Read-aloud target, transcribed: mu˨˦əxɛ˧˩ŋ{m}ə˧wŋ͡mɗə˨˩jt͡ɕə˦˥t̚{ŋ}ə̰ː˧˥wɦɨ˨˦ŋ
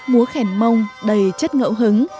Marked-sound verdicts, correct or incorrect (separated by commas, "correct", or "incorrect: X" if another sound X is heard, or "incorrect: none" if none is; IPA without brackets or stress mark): correct, correct